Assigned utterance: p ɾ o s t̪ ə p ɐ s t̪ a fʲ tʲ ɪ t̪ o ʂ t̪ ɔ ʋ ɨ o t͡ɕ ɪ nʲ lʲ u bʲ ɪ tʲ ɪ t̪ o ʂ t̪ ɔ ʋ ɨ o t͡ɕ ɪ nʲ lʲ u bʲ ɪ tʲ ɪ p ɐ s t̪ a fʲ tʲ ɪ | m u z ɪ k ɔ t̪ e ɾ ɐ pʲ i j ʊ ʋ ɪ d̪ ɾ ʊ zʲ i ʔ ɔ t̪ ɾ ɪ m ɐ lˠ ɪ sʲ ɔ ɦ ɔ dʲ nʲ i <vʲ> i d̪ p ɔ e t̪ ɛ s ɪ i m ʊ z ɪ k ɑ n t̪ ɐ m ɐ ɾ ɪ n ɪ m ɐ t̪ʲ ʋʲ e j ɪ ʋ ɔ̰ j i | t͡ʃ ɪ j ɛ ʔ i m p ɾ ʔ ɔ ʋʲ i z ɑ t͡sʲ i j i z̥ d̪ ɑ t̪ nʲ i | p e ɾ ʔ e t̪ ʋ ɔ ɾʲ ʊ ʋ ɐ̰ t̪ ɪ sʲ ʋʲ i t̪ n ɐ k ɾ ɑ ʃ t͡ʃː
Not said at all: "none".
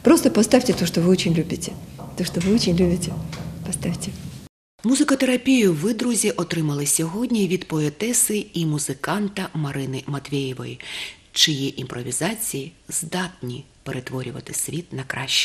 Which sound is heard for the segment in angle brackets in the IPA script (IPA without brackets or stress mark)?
ʋʲ